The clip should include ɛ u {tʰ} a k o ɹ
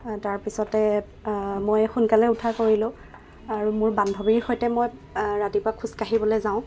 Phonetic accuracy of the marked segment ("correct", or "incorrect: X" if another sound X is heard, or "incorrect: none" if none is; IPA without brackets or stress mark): correct